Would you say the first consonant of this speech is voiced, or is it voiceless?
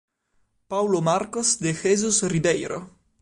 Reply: voiceless